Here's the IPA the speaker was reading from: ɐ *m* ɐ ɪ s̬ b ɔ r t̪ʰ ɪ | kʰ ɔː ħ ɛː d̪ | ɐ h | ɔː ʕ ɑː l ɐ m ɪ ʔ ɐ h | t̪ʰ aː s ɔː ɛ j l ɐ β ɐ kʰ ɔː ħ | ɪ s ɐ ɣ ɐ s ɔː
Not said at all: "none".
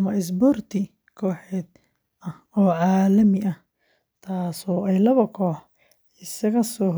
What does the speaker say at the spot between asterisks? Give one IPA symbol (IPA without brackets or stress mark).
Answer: m